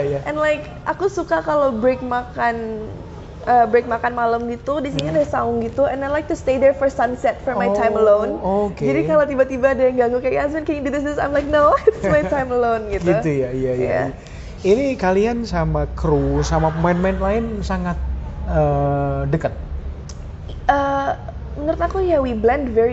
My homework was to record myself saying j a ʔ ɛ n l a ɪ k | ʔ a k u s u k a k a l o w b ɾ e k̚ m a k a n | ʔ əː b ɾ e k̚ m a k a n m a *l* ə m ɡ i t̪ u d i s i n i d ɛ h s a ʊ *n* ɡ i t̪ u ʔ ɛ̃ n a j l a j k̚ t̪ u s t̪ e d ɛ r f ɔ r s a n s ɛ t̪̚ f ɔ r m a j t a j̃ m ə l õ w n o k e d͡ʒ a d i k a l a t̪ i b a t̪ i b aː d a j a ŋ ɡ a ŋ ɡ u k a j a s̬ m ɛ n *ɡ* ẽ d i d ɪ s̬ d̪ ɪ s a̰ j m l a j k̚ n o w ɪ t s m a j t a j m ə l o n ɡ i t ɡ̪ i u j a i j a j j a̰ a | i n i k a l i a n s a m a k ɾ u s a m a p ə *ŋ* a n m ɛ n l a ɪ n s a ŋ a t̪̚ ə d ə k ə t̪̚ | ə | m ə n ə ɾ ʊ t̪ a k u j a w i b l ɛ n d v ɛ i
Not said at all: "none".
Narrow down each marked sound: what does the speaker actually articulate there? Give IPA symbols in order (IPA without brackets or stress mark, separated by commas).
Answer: l, ŋ, k, m